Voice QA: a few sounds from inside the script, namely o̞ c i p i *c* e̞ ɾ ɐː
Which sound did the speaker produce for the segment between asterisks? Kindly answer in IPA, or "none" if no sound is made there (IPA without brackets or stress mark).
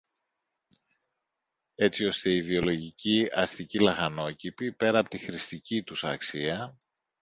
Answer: p